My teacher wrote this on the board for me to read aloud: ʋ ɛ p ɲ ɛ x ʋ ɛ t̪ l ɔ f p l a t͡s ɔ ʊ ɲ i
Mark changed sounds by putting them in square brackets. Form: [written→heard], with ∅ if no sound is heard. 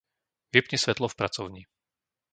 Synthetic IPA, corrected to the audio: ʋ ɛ p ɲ ɛ [x→s] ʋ ɛ t̪ l ɔ f p [l→ɾ] a t͡s ɔ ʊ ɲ i